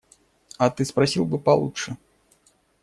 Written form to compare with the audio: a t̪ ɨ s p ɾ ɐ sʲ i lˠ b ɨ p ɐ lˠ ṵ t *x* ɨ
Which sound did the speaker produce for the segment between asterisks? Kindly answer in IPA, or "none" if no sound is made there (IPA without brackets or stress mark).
ʂ